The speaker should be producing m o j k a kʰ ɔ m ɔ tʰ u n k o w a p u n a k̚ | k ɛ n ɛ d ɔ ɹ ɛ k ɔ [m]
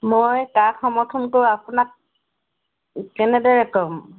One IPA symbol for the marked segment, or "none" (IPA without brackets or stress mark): m